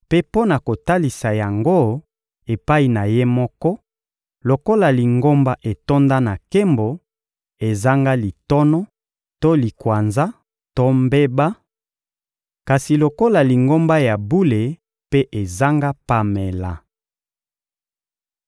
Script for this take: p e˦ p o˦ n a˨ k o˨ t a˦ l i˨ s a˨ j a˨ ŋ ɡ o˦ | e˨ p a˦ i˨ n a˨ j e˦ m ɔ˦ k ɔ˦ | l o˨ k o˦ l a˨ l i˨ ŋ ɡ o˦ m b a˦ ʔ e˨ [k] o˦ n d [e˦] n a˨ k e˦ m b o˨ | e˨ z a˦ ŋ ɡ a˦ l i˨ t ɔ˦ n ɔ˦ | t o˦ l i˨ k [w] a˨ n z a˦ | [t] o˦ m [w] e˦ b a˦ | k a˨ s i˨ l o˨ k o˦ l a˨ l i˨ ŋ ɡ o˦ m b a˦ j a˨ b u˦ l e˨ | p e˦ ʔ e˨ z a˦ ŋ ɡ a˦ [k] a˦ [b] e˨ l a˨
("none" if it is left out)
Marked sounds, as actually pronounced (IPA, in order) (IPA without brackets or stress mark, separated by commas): t, a˦, w, t, b, p, m